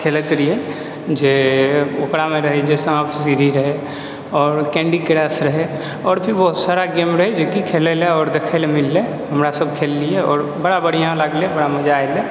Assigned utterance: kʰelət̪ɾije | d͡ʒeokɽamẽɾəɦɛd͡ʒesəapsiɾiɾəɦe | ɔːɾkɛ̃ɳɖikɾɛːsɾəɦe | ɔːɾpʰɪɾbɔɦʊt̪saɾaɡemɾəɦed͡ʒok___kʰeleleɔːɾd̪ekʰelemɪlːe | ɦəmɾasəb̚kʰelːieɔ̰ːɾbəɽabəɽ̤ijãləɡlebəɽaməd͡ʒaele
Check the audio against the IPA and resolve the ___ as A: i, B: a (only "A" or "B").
A